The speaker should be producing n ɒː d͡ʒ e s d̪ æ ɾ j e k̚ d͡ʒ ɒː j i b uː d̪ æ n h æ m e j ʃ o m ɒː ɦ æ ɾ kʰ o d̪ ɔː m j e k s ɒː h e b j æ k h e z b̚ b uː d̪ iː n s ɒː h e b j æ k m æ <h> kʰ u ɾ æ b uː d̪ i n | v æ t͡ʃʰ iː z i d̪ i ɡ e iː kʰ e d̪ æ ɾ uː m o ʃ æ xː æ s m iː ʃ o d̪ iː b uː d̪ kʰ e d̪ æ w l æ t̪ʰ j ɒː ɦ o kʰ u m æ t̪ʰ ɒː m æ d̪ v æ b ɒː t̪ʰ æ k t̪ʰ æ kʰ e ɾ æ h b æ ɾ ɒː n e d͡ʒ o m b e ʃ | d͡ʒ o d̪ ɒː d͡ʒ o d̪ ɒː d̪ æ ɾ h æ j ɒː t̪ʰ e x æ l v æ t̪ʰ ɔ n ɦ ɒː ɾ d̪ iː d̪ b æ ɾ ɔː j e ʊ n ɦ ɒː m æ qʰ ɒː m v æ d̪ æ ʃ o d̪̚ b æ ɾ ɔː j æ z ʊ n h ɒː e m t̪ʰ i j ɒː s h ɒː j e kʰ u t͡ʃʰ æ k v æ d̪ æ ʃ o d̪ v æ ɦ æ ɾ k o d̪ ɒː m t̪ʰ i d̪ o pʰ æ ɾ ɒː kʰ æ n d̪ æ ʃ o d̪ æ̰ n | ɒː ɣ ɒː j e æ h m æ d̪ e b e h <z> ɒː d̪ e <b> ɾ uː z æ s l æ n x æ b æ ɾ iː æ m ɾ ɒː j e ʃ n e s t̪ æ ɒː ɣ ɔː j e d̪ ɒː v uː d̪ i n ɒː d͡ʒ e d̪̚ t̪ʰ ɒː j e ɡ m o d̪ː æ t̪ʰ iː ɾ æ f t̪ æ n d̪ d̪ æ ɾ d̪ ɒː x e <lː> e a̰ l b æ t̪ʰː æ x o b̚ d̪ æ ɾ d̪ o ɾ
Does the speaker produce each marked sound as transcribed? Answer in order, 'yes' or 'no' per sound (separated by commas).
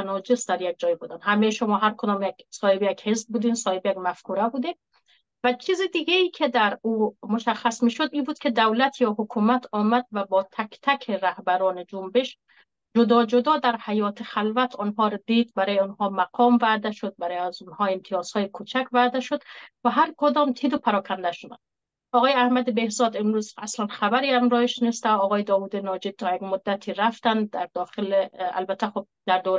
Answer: no, yes, no, no